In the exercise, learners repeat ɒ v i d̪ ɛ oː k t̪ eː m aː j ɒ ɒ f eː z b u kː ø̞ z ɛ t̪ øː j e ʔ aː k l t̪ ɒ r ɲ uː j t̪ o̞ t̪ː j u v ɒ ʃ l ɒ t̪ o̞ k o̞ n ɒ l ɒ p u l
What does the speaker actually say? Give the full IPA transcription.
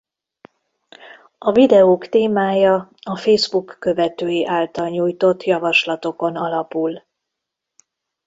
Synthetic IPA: ɒ v i d̪ ɛ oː k t̪ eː m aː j ɒ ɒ f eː z b u kː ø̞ v ɛ t̪ øː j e ʔ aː l t̪ ɒ l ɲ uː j t̪ o̞ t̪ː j ɒ v ɒ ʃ l ɒ t̪ o̞ k o̞ n ɒ l ɒ p u l